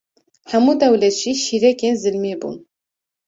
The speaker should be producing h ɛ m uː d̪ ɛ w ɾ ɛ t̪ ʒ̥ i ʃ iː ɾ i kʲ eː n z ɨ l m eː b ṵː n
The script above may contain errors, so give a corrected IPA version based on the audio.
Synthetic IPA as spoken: h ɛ m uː d̪ ɛ w l ɛ t̪ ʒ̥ i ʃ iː ɾ ɛ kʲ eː n z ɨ l m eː b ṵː n